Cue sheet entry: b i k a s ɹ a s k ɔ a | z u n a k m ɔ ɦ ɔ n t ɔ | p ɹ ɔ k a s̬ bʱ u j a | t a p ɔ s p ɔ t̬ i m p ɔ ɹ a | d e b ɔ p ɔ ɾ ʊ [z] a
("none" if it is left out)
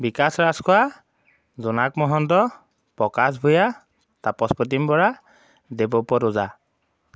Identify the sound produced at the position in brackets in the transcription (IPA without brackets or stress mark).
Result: z